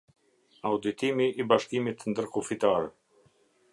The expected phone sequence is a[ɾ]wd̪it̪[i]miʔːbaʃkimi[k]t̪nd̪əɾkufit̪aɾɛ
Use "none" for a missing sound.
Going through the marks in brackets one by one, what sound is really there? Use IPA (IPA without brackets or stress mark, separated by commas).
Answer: none, i, none